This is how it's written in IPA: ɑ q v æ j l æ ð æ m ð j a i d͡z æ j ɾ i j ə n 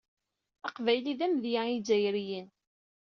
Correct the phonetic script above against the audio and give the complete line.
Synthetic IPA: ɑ q v æ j l i ð æ m ð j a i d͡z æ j ɾ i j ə n

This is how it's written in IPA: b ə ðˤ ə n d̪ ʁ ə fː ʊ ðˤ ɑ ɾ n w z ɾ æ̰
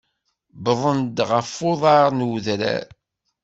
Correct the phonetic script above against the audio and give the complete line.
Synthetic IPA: b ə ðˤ ə n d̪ ʁ ə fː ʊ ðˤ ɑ ɾ n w ð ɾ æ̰

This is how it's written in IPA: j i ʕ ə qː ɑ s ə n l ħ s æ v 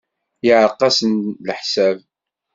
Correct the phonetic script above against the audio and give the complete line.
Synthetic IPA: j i ʕ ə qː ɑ s ə n l ħ s æ v

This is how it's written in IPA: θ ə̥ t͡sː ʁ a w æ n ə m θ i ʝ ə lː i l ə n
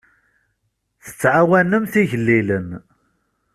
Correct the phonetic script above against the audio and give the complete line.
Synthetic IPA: θ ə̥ t͡sː ʕ a w æ n ə m θ i ʝ ə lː i l ə n

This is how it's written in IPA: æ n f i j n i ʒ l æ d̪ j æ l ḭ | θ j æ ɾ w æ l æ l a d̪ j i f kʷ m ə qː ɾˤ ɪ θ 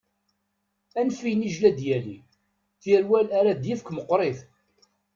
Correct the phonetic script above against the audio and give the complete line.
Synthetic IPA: æ n f i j n i ʒ l æ d̪ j æ l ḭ | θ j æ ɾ w æ l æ ɾ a d̪ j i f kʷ m ə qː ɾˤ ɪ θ

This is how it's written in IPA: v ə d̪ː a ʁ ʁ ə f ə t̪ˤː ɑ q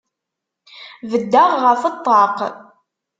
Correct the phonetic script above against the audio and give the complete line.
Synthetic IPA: v ə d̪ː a ʁ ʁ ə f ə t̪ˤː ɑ q

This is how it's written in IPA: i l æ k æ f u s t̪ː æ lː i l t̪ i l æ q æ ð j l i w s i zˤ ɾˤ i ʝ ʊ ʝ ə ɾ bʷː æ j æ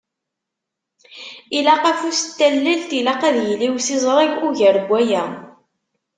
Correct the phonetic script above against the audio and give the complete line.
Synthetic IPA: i l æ q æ f u s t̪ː æ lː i l t̪ i l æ q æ ð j l i w s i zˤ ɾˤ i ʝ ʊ ʝ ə ɾ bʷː æ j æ

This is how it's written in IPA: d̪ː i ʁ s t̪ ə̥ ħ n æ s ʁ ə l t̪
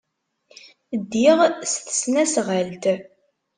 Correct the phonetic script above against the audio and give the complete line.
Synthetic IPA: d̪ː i ʁ s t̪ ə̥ s n æ s ʁ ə l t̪

